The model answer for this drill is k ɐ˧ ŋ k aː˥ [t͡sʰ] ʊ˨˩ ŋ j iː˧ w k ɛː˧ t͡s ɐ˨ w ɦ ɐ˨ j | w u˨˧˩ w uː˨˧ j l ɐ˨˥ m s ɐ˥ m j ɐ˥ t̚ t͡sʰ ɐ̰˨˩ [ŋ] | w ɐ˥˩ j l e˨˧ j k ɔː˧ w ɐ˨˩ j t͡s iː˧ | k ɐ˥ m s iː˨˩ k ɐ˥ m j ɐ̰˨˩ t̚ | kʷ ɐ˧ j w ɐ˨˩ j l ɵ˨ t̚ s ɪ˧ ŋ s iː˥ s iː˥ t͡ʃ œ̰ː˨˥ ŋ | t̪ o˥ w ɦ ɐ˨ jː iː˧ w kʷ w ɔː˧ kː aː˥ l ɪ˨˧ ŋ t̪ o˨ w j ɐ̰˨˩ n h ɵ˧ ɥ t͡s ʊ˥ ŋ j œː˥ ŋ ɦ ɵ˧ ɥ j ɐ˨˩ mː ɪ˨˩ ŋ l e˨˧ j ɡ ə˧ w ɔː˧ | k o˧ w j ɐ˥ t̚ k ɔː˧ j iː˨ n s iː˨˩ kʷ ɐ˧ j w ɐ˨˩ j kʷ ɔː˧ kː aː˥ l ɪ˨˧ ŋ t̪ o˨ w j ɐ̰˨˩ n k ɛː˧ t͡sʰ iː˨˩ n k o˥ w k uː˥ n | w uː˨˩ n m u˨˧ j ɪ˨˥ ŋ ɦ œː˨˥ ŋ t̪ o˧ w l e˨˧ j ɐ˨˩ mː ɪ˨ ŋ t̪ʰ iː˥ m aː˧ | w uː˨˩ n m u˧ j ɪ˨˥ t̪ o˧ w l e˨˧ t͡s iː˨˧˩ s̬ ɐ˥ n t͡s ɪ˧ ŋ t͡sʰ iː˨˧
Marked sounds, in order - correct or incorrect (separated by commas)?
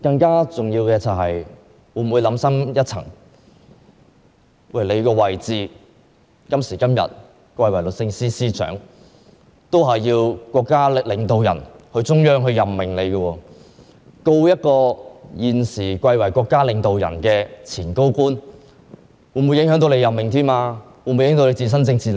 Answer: incorrect, correct